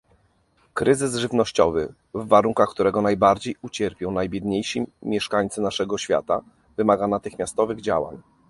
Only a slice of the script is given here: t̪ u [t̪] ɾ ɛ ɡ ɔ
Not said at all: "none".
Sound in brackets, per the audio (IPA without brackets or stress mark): none